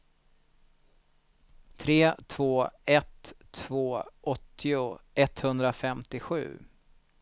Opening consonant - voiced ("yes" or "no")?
no